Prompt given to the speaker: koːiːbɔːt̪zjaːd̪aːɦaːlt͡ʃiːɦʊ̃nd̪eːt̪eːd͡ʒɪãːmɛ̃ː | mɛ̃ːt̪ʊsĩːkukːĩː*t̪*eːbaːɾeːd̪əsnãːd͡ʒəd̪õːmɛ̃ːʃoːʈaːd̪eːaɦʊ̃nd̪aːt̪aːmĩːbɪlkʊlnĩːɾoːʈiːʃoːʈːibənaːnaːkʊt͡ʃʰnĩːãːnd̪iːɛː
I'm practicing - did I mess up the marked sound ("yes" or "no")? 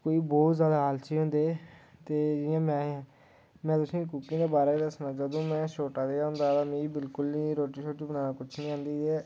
yes